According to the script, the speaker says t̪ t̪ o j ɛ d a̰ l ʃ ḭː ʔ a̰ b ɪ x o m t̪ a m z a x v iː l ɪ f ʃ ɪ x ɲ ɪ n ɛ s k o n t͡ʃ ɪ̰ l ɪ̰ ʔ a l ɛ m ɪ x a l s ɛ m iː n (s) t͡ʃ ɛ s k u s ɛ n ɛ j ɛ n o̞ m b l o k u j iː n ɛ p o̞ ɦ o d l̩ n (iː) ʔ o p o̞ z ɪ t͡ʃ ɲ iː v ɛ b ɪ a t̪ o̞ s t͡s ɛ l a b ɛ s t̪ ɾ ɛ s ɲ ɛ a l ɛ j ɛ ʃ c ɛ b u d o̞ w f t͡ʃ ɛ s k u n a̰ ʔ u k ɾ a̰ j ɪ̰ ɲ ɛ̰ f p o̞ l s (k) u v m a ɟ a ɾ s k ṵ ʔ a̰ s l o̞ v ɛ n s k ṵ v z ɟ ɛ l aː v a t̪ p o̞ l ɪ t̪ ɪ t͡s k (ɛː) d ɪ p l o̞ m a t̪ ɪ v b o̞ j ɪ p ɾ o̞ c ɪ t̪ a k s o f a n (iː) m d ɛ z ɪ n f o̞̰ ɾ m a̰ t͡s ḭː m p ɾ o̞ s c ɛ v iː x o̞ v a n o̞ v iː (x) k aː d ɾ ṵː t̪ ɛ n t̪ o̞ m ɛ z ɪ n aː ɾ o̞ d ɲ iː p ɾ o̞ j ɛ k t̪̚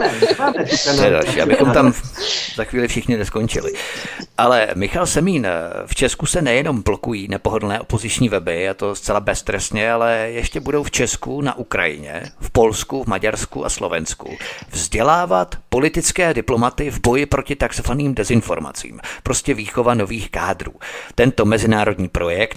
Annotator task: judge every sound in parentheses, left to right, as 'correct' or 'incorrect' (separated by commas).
incorrect, incorrect, correct, correct, correct, correct